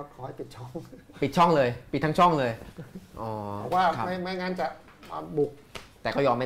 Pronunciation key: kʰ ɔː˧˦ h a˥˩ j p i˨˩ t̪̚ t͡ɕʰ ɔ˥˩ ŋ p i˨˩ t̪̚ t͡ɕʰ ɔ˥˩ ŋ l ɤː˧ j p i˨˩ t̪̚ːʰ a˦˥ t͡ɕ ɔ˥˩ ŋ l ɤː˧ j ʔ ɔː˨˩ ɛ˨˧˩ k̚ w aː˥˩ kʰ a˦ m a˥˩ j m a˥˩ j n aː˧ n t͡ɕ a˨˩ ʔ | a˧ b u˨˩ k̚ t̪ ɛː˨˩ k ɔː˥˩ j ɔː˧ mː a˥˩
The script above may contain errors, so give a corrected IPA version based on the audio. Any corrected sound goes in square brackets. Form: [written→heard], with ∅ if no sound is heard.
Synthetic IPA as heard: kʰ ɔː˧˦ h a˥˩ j p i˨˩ t̪̚ t͡ɕʰ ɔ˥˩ ŋ p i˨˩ t̪̚ t͡ɕʰ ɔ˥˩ ŋ l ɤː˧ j p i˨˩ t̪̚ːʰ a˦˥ [t͡ɕ→t͡ɕʰ] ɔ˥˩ ŋ l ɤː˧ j ʔ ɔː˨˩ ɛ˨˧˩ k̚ w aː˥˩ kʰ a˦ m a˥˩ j m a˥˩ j [n→ŋ] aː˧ n t͡ɕ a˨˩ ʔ | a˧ b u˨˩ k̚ t̪ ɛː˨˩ k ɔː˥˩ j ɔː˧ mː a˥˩